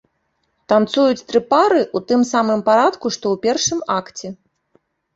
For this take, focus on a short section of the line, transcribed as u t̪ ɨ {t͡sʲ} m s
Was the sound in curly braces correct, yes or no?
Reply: no